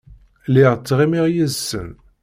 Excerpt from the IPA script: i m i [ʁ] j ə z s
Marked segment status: correct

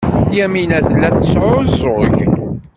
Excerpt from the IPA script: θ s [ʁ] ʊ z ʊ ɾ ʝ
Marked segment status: incorrect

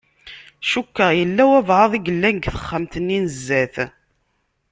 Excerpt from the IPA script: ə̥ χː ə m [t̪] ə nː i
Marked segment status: correct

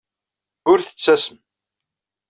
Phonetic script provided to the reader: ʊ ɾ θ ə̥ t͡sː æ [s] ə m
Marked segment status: correct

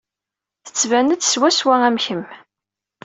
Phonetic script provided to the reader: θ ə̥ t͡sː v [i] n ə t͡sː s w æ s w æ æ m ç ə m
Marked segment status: incorrect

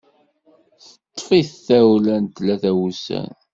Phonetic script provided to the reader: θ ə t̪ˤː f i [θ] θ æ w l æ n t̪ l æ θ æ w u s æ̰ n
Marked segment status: correct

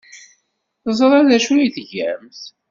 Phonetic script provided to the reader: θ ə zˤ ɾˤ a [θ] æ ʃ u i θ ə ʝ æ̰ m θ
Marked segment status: incorrect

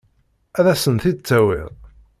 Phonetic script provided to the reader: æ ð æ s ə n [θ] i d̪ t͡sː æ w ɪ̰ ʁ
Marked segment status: correct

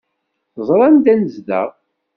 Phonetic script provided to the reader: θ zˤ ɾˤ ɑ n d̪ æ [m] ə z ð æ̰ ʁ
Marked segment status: incorrect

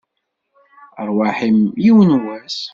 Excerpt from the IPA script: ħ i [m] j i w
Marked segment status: correct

